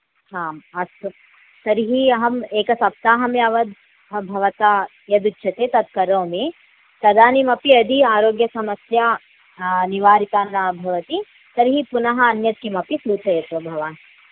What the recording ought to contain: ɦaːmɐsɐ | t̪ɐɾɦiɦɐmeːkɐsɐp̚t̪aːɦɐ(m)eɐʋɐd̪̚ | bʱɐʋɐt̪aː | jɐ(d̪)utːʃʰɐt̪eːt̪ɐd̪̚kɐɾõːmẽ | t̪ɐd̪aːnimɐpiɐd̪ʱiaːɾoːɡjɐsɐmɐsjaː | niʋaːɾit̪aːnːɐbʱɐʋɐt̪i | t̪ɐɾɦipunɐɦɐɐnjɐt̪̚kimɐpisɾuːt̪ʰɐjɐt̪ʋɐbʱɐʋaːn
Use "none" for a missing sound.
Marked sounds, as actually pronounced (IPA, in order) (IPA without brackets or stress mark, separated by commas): m, d̪